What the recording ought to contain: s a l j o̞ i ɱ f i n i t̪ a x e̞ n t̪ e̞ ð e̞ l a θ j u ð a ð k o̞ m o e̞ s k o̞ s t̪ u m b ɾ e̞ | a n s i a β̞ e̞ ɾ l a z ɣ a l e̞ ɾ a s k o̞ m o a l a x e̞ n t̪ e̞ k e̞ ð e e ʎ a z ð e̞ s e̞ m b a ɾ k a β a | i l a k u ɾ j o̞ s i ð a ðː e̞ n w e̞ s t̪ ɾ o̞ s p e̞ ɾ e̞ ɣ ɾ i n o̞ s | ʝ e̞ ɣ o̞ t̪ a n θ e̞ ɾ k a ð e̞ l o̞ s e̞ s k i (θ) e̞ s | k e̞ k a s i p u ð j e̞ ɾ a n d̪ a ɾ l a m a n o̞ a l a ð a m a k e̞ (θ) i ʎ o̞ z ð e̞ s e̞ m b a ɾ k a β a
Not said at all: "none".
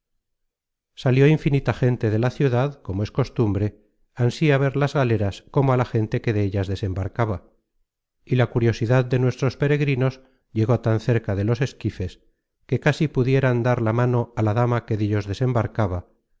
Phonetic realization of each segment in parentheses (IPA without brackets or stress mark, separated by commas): f, ð